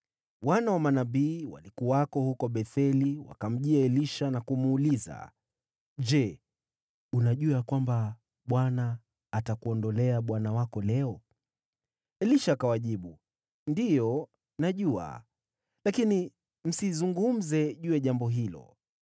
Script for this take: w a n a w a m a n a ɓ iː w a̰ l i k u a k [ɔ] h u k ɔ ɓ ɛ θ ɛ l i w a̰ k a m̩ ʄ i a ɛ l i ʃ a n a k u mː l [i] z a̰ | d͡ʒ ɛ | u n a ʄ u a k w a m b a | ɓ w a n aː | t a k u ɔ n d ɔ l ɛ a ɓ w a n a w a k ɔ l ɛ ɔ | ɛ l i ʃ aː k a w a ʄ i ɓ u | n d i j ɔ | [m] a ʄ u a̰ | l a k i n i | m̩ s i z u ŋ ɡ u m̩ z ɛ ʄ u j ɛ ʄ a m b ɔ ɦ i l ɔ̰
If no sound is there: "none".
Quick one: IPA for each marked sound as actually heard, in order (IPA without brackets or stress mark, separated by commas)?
ɔ, i, n